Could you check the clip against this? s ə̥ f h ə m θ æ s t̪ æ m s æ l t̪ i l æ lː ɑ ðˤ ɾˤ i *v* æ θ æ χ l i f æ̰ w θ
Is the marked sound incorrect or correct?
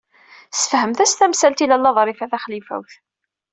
incorrect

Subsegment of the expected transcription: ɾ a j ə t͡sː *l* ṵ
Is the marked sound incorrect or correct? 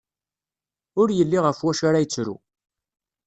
incorrect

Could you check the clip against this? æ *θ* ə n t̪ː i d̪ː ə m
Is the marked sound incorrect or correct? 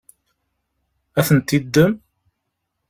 correct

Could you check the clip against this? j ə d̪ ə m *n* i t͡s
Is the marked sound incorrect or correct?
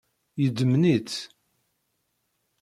correct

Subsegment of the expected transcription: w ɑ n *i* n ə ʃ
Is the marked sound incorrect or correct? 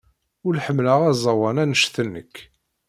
incorrect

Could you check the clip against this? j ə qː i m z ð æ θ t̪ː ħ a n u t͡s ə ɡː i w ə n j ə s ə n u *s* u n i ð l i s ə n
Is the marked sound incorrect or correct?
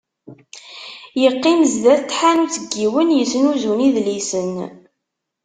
incorrect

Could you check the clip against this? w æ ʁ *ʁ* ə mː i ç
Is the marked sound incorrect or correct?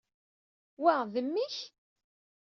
incorrect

